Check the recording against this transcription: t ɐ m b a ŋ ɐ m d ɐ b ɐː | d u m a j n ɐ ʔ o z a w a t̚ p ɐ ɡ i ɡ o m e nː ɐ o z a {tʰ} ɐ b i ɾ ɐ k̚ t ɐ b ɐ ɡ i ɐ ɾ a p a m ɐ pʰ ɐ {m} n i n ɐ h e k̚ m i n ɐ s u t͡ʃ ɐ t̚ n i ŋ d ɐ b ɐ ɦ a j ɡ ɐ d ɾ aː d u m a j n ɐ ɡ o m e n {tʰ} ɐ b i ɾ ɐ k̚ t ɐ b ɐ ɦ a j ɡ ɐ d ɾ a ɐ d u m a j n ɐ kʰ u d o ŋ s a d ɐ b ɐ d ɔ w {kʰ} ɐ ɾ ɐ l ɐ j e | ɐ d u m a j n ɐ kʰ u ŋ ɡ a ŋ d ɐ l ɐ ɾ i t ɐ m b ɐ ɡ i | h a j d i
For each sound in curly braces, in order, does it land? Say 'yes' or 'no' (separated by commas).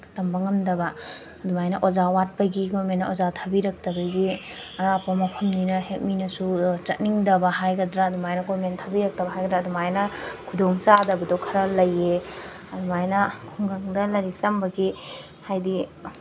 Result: yes, yes, yes, yes